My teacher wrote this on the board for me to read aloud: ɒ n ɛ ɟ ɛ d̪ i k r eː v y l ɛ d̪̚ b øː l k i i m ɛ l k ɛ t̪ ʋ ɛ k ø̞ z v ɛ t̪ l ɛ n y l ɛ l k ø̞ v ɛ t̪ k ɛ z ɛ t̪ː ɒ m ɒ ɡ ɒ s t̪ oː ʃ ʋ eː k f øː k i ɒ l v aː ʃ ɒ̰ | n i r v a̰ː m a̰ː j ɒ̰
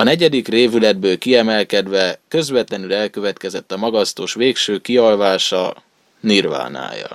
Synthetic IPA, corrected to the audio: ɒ n ɛ ɟ ɛ d̪ i k r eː v y l ɛ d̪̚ b øː l k i ɛ m ɛ l k ɛ d̪ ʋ ɛ k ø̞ z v ɛ t̪ l ɛ n y l ɛ l k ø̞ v ɛ t̪ k ɛ z ɛ t̪ː ɒ m ɒ ɡ ɒ s t̪ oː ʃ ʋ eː k ʃ øː k i ɒ l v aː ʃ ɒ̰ | n i r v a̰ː n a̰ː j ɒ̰